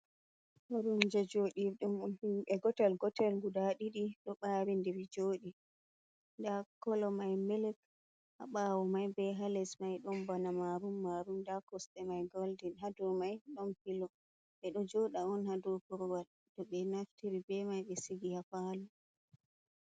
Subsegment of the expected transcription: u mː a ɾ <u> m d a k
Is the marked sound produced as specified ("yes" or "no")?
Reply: yes